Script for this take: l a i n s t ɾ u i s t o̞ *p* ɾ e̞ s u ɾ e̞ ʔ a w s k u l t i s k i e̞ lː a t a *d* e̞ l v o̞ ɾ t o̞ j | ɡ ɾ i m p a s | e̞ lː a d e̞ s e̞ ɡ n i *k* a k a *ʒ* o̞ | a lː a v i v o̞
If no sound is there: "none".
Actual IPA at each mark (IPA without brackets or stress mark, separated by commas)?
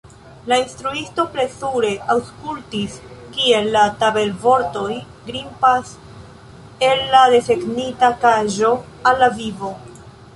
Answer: p, b, t, ʒ